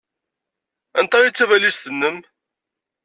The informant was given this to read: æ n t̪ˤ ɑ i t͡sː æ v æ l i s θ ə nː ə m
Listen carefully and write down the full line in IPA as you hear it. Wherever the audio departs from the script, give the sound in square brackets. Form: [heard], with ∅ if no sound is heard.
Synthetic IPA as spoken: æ n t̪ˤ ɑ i t͡sː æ v æ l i s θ ə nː ə m